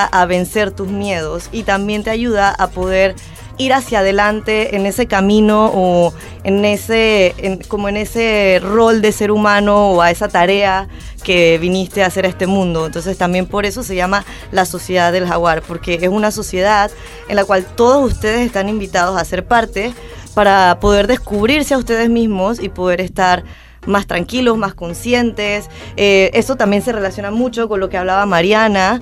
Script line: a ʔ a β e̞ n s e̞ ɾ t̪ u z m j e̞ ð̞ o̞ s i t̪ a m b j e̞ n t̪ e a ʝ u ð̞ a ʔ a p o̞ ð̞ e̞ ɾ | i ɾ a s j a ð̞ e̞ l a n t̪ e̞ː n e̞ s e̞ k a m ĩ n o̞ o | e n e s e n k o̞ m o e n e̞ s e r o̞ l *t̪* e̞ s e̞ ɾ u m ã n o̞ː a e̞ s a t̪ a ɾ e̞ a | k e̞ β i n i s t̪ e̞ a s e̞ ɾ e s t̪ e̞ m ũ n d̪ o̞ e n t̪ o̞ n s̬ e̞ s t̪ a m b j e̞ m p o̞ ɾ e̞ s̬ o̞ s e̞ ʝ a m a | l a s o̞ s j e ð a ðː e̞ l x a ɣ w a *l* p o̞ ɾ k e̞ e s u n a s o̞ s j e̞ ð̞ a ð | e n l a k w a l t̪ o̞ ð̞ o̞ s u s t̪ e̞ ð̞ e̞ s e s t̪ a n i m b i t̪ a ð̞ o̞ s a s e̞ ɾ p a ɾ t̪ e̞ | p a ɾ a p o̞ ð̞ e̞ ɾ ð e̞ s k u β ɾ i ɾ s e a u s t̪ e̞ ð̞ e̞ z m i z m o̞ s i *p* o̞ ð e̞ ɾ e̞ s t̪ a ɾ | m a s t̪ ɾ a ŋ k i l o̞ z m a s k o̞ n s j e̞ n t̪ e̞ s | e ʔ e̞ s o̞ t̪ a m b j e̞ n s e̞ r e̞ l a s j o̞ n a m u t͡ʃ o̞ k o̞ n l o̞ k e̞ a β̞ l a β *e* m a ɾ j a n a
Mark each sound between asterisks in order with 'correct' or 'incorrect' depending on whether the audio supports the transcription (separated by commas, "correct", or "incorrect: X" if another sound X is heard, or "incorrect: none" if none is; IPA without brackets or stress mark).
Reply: incorrect: d̪, incorrect: ɾ, correct, incorrect: a